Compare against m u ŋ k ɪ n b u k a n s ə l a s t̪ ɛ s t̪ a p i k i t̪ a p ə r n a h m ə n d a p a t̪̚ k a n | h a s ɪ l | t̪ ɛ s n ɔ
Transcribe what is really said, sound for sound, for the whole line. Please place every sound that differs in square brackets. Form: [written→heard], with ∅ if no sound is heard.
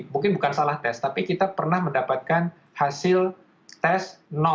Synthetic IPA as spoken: m u ŋ k ɪ n b u k a n s [ə→a] l a [s→h] t̪ ɛ s t̪ a p i k i t̪ a p ə r n a h m ə n d a p a t̪̚ k a n | h a s ɪ l | t̪ ɛ s n ɔ